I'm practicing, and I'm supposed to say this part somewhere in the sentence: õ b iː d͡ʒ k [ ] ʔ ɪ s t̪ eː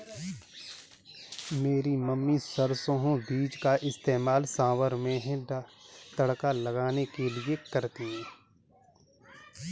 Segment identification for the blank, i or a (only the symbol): a